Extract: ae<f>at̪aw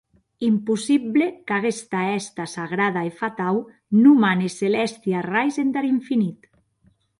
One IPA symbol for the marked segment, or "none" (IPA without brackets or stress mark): f